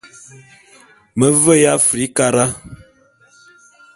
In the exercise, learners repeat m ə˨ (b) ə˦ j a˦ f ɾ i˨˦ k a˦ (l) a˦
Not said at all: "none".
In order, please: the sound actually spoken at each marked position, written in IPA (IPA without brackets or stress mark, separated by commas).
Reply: v, ɾ